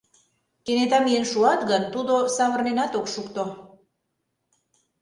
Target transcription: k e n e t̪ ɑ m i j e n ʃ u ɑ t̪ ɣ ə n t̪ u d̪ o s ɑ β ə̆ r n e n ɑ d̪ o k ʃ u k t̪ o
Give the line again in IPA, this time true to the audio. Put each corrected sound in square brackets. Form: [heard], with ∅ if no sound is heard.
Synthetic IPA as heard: k e n e t̪ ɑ m i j e n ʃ u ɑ t̪ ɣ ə n t̪ u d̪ o s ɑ β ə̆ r n e n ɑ [t̪] o k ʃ u k t̪ o

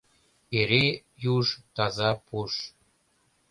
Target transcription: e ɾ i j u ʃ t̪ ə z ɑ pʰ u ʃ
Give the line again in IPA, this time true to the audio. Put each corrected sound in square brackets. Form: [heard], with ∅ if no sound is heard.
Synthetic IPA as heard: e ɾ [e] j u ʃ t̪ [ɑ] z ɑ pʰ u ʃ

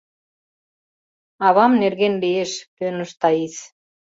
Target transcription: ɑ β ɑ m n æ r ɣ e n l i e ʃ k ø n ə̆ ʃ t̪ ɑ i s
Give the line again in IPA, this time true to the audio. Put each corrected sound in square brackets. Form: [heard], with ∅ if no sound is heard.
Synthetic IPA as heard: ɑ β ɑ m n [e] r ɣ e n l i e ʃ [p] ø n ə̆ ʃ t̪ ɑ i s

